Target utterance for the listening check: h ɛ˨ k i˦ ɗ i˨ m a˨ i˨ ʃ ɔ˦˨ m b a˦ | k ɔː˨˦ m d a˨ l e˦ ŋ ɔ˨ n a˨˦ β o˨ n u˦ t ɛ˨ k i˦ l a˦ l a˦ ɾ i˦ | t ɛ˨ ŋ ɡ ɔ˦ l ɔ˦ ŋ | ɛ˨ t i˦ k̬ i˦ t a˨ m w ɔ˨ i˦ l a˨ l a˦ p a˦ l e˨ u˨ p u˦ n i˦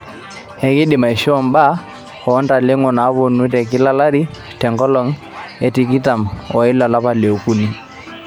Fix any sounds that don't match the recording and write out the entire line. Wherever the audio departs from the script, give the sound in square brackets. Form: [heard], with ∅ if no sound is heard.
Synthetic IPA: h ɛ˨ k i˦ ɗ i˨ m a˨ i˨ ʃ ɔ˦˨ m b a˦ | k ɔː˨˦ [n] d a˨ l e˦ ŋ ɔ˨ n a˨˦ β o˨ n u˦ t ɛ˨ k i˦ l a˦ l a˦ ɾ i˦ | t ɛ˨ ŋ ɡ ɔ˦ l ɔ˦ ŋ | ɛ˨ t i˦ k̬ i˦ t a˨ m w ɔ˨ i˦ l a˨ l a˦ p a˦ l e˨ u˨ [k] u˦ n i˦

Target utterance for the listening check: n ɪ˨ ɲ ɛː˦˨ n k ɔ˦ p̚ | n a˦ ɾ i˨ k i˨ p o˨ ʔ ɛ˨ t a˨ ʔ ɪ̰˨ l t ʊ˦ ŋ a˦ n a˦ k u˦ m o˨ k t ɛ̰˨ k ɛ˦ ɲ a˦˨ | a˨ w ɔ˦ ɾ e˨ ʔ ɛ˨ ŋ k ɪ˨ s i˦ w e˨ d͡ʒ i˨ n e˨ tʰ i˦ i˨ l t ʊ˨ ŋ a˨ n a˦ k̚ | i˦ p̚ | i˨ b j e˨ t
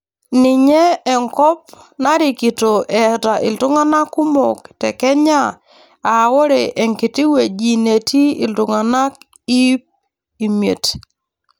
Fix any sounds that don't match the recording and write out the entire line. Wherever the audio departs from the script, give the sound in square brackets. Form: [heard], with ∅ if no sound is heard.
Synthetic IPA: n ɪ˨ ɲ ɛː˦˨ [ŋ] k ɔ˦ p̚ | n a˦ ɾ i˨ k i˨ [t] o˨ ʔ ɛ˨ t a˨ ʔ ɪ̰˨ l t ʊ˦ ŋ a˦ n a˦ k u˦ m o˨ k t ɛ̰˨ k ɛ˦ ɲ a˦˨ | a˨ w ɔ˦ ɾ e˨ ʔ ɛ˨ ŋ k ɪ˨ [t] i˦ w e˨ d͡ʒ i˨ n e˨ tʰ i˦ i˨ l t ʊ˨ ŋ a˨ n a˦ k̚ | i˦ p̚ | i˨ [m] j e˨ t

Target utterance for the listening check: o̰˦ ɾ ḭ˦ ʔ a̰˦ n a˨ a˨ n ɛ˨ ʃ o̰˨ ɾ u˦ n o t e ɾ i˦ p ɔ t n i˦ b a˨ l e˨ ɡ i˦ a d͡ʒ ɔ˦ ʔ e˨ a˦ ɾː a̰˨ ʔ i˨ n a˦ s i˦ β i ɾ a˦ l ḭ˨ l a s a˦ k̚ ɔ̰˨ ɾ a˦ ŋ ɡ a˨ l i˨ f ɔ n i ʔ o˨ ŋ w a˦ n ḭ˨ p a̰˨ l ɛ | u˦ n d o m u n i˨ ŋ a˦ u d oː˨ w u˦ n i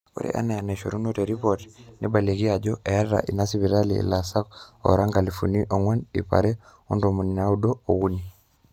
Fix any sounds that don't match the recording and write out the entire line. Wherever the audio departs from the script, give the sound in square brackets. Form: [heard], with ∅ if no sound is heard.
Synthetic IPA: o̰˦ ɾ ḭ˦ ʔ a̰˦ n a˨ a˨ n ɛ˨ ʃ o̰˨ ɾ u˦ n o t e ɾ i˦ p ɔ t n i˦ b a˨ l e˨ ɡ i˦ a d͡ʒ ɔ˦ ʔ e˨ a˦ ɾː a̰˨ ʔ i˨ n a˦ s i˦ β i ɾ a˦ l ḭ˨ l a s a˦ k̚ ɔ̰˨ ɾ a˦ ŋ ɡ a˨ l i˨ f [u] n i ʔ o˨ ŋ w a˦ n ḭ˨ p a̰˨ [ɾ] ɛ | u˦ n d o m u n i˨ [n] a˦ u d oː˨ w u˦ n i

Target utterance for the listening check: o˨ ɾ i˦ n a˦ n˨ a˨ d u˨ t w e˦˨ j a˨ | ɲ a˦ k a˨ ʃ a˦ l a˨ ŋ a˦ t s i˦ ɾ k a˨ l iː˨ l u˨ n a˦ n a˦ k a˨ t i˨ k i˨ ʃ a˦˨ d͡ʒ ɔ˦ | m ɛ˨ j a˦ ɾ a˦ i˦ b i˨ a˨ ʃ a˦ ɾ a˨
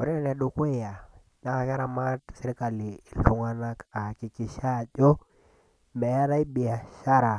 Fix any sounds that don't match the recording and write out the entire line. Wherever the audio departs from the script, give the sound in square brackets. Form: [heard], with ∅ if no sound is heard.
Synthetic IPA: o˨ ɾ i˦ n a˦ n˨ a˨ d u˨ [k] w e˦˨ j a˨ | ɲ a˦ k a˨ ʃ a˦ [ɾ] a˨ [m] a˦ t s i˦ ɾ k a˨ l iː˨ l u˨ [ŋ] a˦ n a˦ k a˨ [k] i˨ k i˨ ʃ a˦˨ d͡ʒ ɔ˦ | m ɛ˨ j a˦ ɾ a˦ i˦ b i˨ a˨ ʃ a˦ ɾ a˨

